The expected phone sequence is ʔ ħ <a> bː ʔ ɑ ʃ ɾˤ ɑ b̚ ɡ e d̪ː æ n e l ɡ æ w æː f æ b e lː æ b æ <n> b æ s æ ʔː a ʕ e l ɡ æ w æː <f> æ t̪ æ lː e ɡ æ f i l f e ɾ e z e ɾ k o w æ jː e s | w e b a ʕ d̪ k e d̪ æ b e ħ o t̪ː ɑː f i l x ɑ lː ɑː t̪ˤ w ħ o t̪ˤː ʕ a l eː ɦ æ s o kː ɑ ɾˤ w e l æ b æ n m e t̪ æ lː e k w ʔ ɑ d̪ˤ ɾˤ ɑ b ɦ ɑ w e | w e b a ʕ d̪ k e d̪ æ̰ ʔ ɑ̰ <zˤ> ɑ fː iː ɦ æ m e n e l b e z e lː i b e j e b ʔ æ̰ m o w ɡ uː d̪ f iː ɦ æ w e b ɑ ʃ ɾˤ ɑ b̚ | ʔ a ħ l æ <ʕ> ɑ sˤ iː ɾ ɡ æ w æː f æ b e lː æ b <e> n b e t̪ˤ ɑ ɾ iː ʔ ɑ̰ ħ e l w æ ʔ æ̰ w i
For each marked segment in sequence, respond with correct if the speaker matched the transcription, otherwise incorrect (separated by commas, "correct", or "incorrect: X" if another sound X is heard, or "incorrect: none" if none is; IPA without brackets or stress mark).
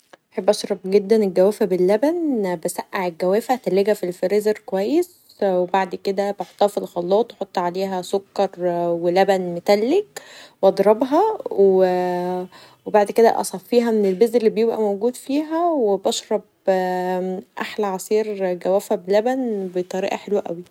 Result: incorrect: e, correct, correct, incorrect: sˤ, correct, incorrect: æ